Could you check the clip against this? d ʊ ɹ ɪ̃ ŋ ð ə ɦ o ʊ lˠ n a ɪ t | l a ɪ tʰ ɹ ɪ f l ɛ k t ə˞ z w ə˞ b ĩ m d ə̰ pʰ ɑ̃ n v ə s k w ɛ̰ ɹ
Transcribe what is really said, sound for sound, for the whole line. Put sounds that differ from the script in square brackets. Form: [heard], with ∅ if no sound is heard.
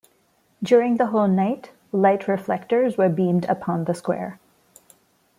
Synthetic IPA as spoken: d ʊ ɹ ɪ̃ ŋ ð ə ɦ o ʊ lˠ n a ɪ t | l a ɪ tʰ ɹ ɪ f l ɛ k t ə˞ z w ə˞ b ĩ m d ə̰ pʰ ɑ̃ n [ð] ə s k w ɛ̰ ɹ